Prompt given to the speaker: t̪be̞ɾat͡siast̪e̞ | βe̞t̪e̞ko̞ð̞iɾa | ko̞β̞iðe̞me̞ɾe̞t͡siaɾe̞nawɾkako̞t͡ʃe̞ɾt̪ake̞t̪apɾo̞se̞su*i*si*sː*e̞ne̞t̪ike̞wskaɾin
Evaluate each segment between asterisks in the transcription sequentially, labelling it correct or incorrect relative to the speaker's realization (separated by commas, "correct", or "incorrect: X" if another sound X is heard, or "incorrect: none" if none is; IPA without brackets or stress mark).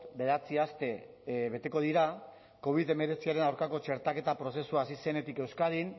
incorrect: a, incorrect: s